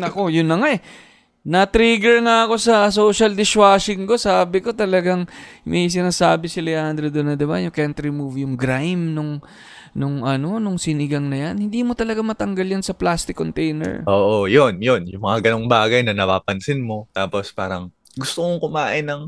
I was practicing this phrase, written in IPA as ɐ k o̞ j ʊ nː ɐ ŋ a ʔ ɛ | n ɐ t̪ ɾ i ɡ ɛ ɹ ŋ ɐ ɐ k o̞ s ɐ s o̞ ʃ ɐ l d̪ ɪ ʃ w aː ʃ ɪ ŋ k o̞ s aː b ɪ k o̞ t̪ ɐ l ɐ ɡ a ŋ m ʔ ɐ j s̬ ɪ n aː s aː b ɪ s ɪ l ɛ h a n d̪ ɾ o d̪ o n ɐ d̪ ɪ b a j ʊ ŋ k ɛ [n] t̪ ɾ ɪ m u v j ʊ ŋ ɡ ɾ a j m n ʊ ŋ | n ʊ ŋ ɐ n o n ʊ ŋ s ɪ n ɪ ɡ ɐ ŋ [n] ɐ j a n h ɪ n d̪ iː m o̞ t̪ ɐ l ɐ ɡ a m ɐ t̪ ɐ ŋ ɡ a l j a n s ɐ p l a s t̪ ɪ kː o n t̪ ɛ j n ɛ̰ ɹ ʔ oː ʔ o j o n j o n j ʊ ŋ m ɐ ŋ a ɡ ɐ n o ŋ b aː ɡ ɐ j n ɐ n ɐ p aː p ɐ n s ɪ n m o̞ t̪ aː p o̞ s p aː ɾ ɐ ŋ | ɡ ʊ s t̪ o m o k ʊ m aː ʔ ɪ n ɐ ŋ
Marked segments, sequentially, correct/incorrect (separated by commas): correct, correct